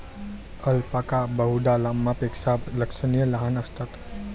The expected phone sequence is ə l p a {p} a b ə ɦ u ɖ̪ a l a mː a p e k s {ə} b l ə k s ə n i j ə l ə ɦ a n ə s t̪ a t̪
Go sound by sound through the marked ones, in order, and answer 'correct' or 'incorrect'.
incorrect, incorrect

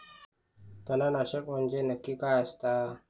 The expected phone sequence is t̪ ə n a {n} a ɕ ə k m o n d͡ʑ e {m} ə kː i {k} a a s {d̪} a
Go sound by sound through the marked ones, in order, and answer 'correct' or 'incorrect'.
correct, incorrect, correct, incorrect

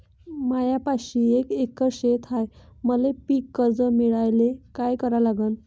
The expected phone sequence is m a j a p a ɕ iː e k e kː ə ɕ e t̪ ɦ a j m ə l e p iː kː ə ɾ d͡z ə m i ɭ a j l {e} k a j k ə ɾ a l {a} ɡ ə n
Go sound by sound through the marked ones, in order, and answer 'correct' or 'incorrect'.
correct, correct

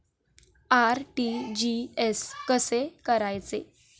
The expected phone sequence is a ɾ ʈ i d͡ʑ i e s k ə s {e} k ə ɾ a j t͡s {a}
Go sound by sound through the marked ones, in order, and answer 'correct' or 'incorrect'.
correct, incorrect

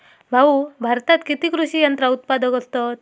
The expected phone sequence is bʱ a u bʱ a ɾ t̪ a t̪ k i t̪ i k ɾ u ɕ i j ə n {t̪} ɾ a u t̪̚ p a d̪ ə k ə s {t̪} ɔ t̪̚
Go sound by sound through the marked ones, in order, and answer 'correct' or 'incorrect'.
correct, correct

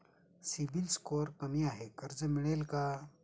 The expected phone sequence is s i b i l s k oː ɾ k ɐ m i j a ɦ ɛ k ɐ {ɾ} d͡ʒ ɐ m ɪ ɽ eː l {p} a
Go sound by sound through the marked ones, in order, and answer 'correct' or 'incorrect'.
correct, incorrect

